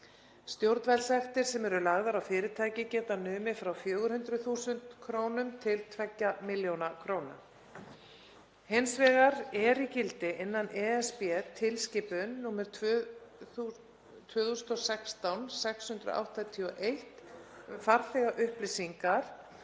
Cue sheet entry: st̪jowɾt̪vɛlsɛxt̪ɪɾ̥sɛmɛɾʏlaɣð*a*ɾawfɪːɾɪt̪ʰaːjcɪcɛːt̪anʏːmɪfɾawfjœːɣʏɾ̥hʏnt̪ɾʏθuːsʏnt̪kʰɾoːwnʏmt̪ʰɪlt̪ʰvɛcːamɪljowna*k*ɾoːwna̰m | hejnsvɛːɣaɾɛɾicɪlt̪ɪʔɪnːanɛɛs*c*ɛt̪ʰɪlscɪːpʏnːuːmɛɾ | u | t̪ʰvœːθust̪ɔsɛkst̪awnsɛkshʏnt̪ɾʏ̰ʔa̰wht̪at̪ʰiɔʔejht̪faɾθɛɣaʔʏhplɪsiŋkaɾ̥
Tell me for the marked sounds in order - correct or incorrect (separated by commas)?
correct, incorrect, incorrect